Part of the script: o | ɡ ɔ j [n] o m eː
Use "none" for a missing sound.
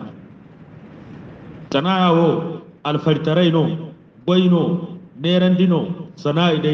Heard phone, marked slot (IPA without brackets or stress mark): n